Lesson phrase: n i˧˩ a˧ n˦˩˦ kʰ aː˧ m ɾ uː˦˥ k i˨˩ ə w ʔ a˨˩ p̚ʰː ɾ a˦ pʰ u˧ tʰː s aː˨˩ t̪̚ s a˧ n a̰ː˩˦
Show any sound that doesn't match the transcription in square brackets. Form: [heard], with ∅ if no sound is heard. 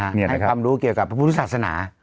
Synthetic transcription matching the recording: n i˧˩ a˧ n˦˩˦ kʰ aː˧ m ɾ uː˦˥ k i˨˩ ə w [k] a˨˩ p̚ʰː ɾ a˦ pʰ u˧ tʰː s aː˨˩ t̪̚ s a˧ n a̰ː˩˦

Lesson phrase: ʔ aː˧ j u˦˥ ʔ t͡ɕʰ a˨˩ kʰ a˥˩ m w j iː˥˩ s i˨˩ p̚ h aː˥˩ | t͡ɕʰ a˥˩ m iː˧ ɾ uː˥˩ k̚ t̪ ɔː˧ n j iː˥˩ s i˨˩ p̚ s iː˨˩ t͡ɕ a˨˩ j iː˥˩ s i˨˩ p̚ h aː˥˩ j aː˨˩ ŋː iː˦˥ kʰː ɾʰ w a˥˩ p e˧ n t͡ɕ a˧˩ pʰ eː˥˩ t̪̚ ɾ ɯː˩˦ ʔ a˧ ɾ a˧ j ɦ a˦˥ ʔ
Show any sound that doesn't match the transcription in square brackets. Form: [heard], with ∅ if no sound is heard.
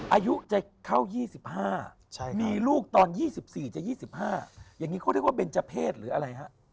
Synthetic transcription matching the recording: ʔ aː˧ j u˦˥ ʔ [t͡ɕ] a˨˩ kʰ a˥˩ [∅] w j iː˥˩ s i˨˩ p̚ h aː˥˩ | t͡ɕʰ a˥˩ m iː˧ [l] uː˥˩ k̚ t̪ ɔː˧ n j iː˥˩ s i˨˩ p̚ s iː˨˩ t͡ɕ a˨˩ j iː˥˩ s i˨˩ p̚ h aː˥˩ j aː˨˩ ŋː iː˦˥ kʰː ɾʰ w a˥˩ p e˧ n t͡ɕ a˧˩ pʰ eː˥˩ t̪̚ ɾ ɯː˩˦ ʔ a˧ ɾ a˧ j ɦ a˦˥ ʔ

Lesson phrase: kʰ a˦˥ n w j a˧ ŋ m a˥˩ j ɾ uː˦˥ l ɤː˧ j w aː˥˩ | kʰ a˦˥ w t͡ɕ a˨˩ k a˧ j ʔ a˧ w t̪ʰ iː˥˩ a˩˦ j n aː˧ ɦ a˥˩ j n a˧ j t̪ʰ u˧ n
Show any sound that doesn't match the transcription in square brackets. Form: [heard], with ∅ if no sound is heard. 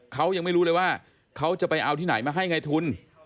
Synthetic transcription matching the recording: kʰ a˦˥ [∅] w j a˧ ŋ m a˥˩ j ɾ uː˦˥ l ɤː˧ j w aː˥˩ | kʰ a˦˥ w t͡ɕ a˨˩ [p] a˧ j ʔ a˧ w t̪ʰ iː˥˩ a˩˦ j [m] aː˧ ɦ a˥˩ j [ŋ] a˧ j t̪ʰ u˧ n

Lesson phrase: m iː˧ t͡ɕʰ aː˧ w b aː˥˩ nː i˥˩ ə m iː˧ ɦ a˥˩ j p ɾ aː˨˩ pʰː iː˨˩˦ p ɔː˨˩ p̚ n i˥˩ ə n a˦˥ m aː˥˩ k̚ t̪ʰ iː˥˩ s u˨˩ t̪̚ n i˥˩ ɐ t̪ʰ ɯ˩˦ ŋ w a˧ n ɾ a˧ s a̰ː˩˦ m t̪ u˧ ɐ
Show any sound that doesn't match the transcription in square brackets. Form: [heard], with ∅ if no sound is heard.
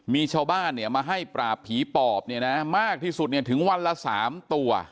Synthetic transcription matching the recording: m iː˧ t͡ɕʰ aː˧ w b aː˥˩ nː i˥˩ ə m [aː˧] ɦ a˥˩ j p ɾ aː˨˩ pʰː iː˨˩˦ p ɔː˨˩ p̚ n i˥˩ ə n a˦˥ m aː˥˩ k̚ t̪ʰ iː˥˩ s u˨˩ t̪̚ n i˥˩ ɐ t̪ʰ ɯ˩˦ ŋ w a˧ n [l] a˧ s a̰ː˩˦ m t̪ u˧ ɐ

